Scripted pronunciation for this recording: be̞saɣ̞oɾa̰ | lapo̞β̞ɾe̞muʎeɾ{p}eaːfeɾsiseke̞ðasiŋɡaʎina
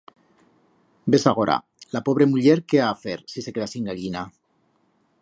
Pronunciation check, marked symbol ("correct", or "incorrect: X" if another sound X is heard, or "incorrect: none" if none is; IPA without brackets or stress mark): incorrect: k